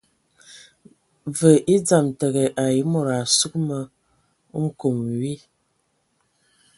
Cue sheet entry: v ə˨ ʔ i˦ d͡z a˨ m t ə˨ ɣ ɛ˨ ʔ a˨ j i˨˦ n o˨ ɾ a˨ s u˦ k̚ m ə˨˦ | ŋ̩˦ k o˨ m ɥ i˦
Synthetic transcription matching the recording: v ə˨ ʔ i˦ d͡z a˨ m t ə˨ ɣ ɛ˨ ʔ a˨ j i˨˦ m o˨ ɾ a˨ s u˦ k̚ m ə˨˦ | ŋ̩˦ k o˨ m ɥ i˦